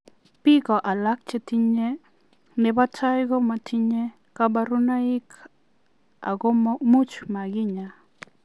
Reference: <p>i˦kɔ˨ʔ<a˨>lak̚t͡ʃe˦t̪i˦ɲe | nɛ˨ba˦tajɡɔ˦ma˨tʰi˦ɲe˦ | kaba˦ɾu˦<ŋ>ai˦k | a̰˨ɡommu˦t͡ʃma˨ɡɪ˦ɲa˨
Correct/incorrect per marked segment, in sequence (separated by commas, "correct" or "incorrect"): correct, correct, incorrect